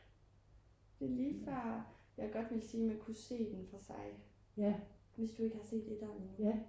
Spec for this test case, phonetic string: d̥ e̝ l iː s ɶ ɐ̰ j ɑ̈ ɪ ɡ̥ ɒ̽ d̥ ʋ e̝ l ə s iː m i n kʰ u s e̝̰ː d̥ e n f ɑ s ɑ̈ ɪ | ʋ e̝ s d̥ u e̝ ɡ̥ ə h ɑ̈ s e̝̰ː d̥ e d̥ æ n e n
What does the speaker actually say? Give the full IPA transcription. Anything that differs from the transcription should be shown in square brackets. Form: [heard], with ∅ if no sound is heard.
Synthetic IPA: d̥ e̝ l iː [f] ɶ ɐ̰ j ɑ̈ ɪ ɡ̥ ɒ̽ d̥ ʋ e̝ l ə s iː m [æ] n kʰ u s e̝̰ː d̥ e n f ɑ s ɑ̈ ɪ | ʋ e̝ s d̥ u e̝ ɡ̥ ə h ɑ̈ s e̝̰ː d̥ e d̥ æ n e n